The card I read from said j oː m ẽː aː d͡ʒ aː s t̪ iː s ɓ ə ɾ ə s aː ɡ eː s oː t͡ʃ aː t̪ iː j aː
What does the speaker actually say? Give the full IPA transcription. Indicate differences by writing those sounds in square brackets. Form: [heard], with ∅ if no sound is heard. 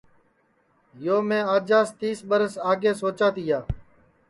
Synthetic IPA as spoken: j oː m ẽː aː d͡ʒ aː s t̪ iː s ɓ ə ɾ ə s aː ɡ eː s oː t͡ʃ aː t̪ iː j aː